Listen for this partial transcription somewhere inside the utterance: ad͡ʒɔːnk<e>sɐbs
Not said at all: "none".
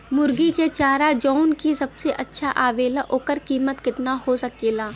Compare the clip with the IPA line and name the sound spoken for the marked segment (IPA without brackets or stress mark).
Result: i